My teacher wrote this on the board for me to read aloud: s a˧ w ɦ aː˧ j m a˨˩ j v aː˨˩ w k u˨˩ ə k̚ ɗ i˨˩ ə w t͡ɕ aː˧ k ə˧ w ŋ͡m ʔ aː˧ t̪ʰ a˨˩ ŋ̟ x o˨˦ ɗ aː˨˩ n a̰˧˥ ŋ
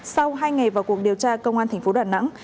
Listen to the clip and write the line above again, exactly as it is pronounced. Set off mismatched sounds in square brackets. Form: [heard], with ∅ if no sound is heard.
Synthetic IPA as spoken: s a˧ w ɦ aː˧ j [ŋ] a˨˩ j v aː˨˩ w k u˨˩ ə k̚ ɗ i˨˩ ə w t͡ɕ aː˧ k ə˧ w ŋ͡m ʔ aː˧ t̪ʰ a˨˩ ŋ̟ [f] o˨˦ ɗ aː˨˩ n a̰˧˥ ŋ

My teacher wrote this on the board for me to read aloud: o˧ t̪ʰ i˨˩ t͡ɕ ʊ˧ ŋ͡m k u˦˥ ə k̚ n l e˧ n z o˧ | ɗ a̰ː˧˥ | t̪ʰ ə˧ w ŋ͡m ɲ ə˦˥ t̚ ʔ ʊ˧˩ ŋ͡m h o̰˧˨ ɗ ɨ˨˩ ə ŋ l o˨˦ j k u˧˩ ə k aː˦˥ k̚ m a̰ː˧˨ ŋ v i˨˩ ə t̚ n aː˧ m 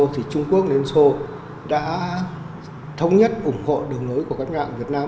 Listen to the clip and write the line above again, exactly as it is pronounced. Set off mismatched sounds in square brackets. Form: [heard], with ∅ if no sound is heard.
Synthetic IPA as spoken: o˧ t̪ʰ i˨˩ t͡ɕ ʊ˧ ŋ͡m k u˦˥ ə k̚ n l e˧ n [s] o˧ | ɗ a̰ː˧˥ | t̪ʰ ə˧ w ŋ͡m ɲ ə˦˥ t̚ ʔ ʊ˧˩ ŋ͡m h o̰˧˨ ɗ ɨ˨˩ ə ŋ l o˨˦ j k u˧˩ ə k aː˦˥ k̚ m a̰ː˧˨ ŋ v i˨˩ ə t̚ n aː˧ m

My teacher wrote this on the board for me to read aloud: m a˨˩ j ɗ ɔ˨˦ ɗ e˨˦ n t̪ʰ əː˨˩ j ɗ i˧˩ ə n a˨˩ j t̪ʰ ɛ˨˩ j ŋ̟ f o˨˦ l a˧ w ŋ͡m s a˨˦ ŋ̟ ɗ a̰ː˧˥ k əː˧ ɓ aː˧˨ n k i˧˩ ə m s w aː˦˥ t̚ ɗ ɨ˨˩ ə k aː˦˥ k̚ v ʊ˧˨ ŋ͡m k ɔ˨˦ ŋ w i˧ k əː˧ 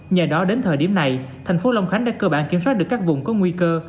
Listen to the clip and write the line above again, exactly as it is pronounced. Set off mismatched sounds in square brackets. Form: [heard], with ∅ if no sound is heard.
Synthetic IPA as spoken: [ɲ] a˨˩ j ɗ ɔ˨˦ ɗ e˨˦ n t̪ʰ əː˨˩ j ɗ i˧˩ ə n a˨˩ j t̪ʰ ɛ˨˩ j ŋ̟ f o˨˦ l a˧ w ŋ͡m [x] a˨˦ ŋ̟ ɗ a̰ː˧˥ k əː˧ ɓ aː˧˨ n k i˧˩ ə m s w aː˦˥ t̚ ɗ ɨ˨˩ ə k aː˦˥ k̚ v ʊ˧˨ ŋ͡m k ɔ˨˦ ŋ w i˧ k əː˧

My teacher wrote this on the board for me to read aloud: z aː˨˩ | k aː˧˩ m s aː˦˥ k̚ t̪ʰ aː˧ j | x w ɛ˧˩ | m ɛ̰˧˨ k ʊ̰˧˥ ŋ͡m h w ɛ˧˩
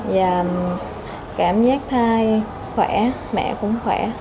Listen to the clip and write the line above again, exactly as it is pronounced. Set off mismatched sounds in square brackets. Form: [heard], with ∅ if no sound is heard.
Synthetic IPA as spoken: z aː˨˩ | k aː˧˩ m [z] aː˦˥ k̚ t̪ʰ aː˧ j | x w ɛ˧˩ | m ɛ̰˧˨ k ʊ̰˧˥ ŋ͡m [x] w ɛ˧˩

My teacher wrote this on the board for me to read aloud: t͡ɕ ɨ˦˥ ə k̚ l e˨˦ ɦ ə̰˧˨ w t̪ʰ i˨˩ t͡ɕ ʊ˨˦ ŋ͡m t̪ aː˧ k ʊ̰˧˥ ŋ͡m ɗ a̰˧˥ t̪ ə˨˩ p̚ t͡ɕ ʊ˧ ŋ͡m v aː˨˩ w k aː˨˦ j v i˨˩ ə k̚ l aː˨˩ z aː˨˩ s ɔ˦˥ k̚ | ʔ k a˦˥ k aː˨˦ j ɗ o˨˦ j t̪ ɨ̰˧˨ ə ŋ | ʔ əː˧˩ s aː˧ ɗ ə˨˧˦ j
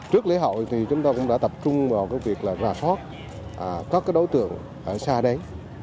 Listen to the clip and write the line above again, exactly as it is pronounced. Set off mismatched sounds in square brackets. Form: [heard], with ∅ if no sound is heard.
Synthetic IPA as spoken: t͡ɕ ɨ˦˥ ə k̚ l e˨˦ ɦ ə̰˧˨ w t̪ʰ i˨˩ t͡ɕ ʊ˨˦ ŋ͡m t̪ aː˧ k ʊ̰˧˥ ŋ͡m ɗ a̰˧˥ t̪ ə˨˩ p̚ t͡ɕ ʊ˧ ŋ͡m v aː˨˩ w k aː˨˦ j v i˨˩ ə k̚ l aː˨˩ z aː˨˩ s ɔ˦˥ [t̚] | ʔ k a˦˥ k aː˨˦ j ɗ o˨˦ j t̪ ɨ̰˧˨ ə ŋ | ʔ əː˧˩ s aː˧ ɗ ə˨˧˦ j

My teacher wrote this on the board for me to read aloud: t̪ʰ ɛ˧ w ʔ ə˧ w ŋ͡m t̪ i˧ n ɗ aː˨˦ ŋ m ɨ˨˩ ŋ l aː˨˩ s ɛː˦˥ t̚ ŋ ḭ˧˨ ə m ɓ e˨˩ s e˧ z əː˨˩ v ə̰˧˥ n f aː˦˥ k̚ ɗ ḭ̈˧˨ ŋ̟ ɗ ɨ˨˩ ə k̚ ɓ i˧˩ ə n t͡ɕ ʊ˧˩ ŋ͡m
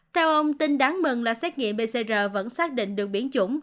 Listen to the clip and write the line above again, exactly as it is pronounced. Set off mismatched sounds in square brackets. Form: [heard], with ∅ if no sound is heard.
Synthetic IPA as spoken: t̪ʰ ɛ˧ w ʔ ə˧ w ŋ͡m t̪ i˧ n ɗ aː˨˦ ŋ m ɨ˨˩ ŋ l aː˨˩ s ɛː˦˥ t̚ ŋ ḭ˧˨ ə m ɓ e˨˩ s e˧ z əː˨˩ v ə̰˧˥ n [s] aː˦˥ k̚ ɗ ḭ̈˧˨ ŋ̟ ɗ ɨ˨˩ ə k̚ ɓ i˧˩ ə n t͡ɕ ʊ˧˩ ŋ͡m

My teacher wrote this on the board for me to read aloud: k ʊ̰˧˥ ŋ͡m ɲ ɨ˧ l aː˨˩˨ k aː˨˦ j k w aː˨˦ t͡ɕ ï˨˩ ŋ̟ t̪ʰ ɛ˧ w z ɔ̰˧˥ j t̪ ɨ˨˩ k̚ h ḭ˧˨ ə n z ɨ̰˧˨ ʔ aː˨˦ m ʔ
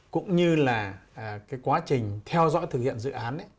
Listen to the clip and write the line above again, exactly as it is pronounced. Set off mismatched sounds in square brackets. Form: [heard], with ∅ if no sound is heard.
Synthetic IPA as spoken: k ʊ̰˧˥ ŋ͡m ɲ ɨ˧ l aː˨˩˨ k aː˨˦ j k w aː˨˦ t͡ɕ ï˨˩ ŋ̟ t̪ʰ ɛ˧ w z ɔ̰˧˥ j t̪ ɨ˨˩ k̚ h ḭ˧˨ ə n z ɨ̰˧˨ ʔ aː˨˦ [n] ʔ

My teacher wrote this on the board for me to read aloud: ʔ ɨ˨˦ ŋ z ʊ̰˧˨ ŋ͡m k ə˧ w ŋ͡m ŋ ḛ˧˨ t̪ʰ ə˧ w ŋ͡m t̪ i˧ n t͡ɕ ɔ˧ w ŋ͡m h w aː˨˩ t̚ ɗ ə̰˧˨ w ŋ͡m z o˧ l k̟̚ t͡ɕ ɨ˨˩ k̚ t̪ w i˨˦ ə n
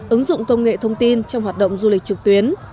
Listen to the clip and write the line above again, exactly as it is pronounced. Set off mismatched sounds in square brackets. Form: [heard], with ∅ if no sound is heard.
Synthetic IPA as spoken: ʔ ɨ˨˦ ŋ z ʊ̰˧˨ ŋ͡m k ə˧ w ŋ͡m ŋ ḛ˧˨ t̪ʰ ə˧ w ŋ͡m t̪ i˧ n t͡ɕ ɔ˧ w ŋ͡m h w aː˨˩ t̚ ɗ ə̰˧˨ w ŋ͡m z [u˧] l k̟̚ t͡ɕ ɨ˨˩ k̚ t̪ w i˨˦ ə n

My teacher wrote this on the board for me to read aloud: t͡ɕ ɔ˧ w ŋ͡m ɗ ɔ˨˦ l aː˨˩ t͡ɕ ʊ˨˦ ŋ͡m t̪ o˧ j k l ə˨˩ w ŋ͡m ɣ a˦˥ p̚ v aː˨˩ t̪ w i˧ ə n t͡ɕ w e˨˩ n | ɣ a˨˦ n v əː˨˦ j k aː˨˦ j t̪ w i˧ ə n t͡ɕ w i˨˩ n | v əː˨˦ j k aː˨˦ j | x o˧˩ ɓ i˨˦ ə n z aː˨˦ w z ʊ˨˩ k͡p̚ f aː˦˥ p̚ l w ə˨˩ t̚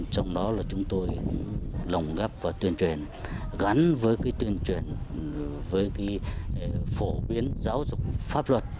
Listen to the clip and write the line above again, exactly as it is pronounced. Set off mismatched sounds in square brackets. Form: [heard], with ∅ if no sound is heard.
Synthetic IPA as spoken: t͡ɕ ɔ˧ w ŋ͡m ɗ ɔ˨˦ l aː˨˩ t͡ɕ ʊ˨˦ ŋ͡m t̪ o˧ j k l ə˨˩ w ŋ͡m ɣ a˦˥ p̚ v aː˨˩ t̪ w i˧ ə n t͡ɕ w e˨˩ n | ɣ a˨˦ n v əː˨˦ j k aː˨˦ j t̪ w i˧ ə n t͡ɕ w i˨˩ n | v əː˨˦ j k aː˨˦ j | [f] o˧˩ ɓ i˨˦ ə n z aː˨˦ w z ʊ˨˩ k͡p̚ f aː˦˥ p̚ l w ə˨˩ t̚

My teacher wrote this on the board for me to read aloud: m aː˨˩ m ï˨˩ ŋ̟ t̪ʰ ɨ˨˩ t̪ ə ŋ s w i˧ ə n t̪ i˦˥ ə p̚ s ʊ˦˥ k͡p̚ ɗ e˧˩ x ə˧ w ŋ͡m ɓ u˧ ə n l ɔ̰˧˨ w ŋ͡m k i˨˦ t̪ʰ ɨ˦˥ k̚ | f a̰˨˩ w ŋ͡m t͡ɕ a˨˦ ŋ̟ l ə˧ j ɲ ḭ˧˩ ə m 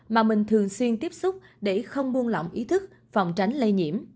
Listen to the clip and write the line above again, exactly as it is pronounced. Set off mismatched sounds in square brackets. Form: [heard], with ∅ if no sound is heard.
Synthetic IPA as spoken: m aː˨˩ m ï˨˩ ŋ̟ t̪ʰ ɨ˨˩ [∅] ə ŋ s w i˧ ə n t̪ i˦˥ ə p̚ s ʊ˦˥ k͡p̚ ɗ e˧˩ x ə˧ w ŋ͡m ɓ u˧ ə n l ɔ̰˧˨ w ŋ͡m [ʔ] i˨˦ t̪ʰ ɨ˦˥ k̚ | f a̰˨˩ w ŋ͡m t͡ɕ a˨˦ ŋ̟ l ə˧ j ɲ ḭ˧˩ ə m

